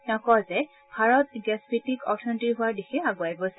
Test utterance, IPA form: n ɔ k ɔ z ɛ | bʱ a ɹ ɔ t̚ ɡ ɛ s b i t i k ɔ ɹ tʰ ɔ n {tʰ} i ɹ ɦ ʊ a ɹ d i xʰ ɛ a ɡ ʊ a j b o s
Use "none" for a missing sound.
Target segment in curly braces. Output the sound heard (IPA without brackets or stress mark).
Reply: t